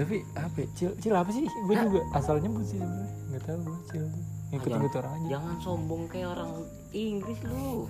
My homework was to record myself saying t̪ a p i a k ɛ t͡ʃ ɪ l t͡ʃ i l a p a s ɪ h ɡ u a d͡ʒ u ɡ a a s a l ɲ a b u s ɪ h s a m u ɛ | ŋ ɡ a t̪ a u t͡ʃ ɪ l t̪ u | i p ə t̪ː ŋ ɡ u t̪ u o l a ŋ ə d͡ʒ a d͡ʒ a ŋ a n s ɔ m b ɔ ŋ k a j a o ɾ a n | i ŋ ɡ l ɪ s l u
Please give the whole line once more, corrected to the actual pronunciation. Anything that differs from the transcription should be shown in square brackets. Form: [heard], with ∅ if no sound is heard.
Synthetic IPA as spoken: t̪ a p i a [p] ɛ t͡ʃ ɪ l t͡ʃ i l a p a s ɪ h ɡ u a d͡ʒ u ɡ a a s a l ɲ a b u s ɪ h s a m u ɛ | ŋ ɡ a t̪ a u t͡ʃ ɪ l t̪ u | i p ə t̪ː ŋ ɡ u t̪ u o [ɾ] a ŋ [a] d͡ʒ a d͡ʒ a ŋ a n s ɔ m b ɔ ŋ k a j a o ɾ a [ŋ] | i ŋ ɡ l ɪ s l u